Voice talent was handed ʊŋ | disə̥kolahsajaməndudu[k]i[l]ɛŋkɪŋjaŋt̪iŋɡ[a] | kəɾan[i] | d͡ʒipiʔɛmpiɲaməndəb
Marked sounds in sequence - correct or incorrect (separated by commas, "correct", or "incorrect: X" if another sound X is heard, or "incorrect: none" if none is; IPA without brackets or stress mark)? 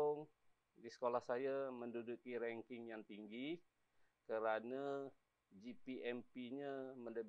correct, incorrect: ɾ, incorrect: i, incorrect: a